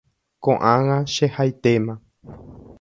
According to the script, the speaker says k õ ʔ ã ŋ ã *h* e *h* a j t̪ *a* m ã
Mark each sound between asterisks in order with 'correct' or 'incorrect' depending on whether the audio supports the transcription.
incorrect, correct, incorrect

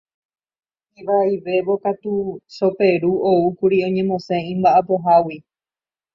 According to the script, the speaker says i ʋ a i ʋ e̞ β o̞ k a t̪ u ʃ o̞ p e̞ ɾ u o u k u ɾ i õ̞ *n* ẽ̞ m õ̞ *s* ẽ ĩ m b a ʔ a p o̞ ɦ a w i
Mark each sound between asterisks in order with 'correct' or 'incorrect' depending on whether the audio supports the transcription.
incorrect, correct

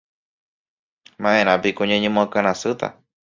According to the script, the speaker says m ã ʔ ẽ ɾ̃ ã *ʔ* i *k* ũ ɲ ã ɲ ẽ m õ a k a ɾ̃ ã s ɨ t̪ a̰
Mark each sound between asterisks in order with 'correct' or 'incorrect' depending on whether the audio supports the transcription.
incorrect, correct

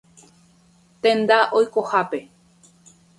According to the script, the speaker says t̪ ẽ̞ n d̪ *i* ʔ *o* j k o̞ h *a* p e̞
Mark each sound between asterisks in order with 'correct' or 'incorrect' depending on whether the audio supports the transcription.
incorrect, correct, correct

